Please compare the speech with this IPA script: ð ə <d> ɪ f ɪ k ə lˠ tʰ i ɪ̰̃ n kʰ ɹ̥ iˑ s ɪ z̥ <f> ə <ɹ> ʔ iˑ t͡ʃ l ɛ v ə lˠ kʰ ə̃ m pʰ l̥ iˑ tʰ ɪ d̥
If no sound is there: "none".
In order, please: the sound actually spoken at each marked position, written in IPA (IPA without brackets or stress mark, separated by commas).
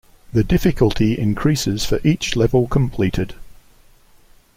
d, f, ɹ